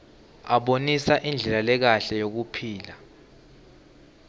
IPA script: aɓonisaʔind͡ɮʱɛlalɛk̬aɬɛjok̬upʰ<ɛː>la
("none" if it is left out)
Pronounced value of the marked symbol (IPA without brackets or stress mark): iː